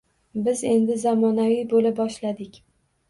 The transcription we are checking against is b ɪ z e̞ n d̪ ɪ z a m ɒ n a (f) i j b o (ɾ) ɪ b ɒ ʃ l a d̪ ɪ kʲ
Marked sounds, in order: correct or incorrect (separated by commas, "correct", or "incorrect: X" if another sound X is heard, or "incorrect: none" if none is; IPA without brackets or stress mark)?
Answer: incorrect: v, incorrect: l